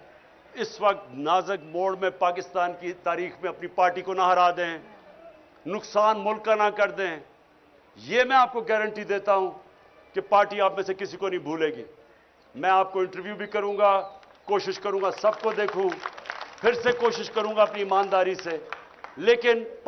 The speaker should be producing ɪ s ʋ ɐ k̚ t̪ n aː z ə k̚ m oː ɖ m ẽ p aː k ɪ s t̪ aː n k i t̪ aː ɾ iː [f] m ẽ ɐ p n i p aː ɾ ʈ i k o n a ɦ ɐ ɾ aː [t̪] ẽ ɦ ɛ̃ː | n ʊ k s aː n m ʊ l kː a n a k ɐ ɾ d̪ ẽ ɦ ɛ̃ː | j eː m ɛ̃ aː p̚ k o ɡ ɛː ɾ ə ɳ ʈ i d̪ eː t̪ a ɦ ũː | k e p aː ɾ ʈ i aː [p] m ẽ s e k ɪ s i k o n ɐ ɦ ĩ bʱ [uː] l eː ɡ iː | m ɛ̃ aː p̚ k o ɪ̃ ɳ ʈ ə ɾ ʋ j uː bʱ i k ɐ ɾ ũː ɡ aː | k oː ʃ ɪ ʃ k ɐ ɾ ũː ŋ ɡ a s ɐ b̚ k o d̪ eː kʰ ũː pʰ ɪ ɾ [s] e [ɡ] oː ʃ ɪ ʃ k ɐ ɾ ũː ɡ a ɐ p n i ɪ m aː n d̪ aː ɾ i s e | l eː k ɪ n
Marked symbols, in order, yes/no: no, no, yes, yes, yes, no

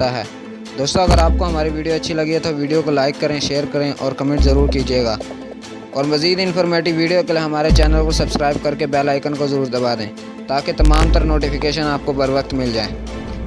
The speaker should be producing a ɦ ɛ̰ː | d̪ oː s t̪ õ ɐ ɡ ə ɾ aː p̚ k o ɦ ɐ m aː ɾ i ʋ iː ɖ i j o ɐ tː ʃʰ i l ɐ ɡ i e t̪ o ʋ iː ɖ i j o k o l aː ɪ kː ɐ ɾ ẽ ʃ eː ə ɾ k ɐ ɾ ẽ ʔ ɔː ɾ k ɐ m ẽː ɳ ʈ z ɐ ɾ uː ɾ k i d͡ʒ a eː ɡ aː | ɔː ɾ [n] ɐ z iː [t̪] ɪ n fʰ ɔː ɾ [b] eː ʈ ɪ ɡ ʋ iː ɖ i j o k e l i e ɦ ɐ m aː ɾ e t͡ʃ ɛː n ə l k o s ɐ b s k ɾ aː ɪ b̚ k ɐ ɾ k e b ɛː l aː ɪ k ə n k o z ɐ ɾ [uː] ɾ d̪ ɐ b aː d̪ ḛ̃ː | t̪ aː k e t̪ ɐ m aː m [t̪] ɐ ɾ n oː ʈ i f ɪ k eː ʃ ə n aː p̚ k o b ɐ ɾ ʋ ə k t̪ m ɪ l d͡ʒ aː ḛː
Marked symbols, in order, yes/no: no, no, no, yes, yes

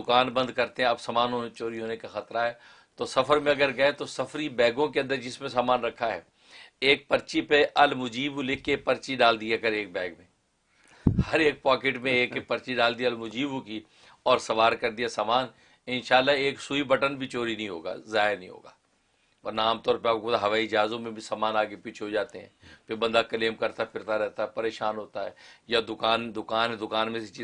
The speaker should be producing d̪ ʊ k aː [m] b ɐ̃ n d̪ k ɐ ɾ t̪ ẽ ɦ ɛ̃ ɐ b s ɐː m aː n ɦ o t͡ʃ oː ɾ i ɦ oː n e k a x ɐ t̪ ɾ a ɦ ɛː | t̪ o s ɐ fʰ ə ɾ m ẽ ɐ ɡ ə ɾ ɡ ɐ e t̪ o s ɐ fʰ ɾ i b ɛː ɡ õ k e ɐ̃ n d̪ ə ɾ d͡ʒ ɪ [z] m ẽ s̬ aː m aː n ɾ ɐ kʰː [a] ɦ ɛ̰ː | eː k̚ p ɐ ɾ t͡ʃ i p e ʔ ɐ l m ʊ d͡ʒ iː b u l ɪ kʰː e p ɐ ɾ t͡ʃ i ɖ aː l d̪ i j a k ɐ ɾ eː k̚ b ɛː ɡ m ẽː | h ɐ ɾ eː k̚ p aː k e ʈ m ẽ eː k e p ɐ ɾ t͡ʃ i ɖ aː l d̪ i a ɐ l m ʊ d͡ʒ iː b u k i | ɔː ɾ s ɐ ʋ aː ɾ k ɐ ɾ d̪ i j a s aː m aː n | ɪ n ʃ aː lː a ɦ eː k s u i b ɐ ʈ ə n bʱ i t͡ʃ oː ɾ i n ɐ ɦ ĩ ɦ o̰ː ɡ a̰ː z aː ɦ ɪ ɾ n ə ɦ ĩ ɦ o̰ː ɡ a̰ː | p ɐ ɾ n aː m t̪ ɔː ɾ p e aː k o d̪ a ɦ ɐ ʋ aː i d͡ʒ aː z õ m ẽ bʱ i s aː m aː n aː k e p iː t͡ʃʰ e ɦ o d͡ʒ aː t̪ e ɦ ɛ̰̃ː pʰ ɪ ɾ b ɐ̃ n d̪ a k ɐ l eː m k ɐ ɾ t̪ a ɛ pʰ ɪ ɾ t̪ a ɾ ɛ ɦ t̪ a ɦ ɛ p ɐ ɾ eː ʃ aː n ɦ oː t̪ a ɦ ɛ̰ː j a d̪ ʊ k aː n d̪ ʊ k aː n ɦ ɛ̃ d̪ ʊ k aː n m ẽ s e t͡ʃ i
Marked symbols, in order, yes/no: no, no, yes

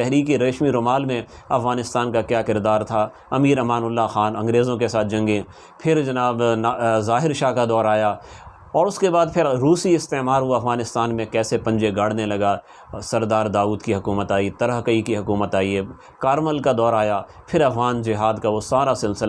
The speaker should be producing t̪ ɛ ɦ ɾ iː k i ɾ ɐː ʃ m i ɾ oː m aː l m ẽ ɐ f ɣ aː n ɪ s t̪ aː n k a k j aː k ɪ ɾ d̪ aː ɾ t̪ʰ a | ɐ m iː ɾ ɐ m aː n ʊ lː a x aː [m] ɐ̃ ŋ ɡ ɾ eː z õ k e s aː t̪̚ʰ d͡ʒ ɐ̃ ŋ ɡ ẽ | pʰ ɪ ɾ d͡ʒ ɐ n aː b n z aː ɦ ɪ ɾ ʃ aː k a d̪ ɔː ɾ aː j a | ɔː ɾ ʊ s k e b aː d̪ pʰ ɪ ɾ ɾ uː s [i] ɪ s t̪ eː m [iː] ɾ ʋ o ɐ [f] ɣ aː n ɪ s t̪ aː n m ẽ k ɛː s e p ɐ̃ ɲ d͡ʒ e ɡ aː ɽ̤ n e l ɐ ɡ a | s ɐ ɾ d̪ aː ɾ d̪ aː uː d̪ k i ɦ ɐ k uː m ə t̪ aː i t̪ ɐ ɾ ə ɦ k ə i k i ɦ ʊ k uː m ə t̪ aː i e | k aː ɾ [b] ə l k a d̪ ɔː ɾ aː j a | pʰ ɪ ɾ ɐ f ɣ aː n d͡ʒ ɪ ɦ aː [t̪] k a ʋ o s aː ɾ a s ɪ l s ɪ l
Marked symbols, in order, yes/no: no, yes, no, yes, no, no

